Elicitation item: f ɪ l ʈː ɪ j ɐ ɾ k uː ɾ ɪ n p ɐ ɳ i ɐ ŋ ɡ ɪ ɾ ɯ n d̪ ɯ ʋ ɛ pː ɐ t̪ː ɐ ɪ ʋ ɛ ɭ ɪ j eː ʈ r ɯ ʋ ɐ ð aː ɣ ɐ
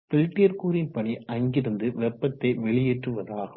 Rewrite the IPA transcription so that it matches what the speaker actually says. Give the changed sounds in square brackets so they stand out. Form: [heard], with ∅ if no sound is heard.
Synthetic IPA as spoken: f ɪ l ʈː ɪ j ɐ ɾ k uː ɾ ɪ n p ɐ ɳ i ɐ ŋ ɡ ɪ ɾ ɯ n d̪ ɯ ʋ ɛ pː ɐ t̪ː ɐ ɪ ʋ ɛ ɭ ɪ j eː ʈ r ɯ ʋ ɐ ð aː ɣ ɐ